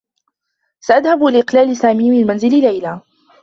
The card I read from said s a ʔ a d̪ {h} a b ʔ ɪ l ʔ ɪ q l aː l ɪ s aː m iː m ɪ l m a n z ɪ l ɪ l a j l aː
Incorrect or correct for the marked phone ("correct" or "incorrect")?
correct